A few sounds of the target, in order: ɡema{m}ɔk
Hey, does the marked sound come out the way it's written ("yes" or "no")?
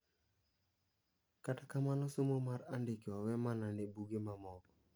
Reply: yes